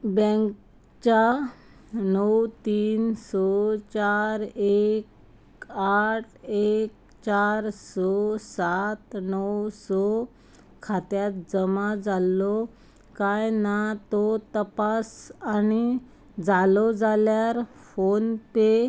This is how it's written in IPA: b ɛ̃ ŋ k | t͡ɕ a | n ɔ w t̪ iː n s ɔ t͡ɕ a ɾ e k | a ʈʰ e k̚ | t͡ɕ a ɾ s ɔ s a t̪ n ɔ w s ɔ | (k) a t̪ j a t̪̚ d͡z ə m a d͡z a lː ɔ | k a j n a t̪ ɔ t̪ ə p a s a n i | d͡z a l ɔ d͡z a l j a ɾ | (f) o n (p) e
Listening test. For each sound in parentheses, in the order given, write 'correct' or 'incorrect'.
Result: incorrect: kʰ, correct, correct

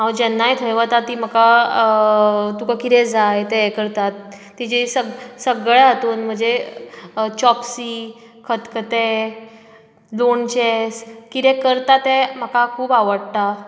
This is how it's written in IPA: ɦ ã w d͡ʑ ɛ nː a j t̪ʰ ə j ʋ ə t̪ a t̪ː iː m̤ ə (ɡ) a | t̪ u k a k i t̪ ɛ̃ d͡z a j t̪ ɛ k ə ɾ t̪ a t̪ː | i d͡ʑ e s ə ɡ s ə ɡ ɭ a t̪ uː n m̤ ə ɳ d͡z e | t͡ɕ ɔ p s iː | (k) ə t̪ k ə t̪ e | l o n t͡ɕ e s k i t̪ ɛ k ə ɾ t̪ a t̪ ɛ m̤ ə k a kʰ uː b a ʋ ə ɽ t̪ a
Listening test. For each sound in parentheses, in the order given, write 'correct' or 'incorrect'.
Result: incorrect: k, incorrect: kʰ

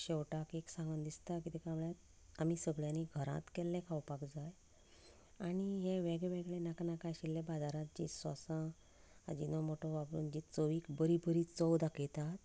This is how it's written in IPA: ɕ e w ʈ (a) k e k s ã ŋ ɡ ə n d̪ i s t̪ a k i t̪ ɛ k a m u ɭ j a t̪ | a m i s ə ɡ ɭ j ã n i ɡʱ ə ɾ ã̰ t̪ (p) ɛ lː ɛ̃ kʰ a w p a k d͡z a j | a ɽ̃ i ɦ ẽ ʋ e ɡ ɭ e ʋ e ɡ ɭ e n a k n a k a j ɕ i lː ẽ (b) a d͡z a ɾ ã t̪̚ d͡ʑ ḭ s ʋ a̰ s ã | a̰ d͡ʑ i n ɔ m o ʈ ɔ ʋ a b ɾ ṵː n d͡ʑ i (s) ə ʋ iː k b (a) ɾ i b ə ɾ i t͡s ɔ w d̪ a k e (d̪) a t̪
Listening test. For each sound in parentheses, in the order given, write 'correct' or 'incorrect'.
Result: correct, incorrect: k, correct, incorrect: t͡s, incorrect: ə, incorrect: t̪

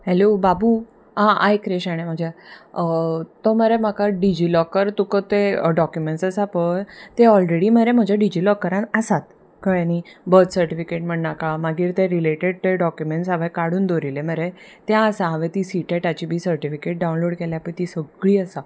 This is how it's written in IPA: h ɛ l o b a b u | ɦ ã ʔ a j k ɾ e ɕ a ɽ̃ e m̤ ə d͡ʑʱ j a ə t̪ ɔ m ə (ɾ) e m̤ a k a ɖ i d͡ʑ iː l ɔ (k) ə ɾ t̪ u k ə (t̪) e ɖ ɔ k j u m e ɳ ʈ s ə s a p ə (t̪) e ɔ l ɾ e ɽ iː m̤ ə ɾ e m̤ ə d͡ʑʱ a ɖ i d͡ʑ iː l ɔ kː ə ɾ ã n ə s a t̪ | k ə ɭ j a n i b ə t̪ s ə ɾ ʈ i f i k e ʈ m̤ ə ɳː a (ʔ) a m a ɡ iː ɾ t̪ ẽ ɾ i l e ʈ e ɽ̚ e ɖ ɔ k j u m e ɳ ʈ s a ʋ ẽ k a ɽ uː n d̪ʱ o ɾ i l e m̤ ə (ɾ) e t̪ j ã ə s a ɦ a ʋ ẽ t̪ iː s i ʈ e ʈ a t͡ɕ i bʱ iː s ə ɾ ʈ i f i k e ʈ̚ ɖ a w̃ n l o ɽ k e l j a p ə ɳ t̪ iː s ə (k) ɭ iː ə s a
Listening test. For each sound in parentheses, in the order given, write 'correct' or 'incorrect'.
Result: correct, correct, correct, correct, incorrect: k, correct, incorrect: ɡ

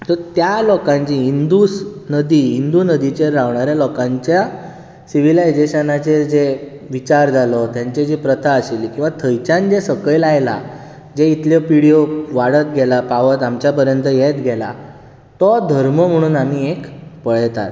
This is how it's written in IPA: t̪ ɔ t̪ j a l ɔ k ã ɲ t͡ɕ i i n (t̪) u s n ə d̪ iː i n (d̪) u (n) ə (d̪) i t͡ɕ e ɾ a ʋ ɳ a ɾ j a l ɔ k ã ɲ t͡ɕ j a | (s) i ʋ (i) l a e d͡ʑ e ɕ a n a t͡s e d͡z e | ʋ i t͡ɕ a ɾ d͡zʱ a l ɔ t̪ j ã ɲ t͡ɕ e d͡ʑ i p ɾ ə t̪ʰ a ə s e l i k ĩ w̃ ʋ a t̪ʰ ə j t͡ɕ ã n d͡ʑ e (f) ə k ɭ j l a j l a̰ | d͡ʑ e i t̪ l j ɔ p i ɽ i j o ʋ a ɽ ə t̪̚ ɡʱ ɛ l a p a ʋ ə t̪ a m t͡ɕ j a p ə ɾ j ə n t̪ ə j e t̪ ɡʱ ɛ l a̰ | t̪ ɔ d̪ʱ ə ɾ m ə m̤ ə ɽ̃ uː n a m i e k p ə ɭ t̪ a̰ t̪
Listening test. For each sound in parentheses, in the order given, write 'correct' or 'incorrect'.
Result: incorrect: d̪, correct, correct, correct, correct, correct, incorrect: s

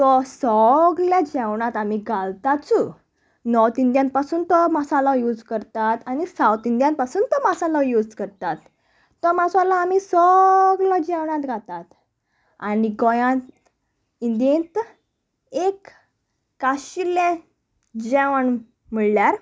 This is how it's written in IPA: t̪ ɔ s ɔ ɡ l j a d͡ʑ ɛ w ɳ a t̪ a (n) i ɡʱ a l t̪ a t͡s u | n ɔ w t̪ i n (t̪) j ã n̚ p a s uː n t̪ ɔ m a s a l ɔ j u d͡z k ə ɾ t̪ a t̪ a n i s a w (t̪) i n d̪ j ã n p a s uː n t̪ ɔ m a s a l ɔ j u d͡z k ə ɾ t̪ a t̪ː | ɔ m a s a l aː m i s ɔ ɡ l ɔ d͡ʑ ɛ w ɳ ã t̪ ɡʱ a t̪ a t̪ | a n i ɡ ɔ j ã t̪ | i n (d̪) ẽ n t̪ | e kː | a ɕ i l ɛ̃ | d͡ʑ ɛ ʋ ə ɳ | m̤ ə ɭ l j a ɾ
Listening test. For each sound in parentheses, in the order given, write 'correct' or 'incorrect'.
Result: incorrect: m, incorrect: d̪, correct, correct

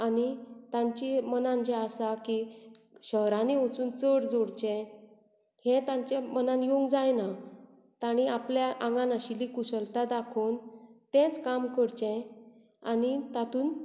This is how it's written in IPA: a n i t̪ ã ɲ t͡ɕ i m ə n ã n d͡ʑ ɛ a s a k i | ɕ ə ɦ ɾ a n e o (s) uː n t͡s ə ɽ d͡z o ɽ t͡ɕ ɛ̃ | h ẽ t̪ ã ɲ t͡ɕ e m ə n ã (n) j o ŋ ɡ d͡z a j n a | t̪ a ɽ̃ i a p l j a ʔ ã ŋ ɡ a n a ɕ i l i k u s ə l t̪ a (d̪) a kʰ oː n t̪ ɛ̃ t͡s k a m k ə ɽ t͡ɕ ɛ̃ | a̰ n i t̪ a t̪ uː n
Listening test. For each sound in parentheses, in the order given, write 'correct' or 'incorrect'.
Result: incorrect: t͡s, correct, correct

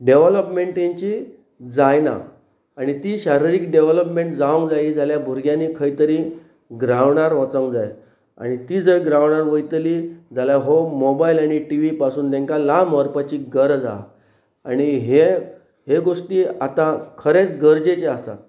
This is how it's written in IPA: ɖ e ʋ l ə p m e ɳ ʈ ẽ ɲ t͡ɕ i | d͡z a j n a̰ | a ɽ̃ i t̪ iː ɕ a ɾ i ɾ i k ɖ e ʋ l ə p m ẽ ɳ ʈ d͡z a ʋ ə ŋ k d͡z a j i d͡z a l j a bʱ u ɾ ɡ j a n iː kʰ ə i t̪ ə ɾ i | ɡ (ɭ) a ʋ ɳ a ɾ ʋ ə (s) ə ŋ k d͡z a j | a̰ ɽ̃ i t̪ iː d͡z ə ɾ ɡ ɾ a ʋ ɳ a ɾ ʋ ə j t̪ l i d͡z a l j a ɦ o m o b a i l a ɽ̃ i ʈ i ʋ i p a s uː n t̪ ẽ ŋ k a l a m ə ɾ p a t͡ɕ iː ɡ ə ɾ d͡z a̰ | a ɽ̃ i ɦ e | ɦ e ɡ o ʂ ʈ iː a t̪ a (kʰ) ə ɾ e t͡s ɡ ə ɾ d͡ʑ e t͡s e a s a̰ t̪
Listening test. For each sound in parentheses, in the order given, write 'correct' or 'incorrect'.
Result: incorrect: ɾ, incorrect: t͡s, correct

